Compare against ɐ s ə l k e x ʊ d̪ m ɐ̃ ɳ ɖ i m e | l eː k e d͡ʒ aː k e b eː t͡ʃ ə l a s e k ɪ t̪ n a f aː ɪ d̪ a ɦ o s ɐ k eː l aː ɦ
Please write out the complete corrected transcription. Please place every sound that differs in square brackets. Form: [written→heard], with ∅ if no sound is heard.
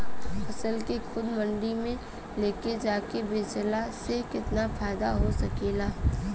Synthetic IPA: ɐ s ə l k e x ʊ d̪ m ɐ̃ ɳ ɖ i m [e→ẽ] | l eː k e d͡ʒ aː k e b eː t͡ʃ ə l a s e k ɪ t̪ n a f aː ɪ d̪ a ɦ o s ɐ k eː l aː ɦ